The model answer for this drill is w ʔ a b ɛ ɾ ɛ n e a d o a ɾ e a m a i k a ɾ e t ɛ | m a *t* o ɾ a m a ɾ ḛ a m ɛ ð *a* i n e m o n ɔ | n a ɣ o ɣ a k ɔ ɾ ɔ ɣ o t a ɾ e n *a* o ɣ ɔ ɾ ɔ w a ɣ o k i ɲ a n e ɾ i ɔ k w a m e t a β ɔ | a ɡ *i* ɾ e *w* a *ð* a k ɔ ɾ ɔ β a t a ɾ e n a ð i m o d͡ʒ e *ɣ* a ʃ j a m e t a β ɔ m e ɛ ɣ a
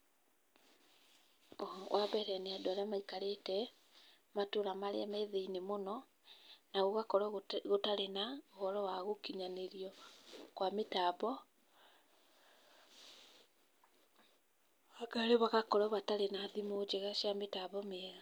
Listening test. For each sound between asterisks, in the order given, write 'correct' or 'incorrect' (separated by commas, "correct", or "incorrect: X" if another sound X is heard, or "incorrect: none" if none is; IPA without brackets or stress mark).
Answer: correct, incorrect: e, correct, incorrect: a, incorrect: β, incorrect: ɣ, correct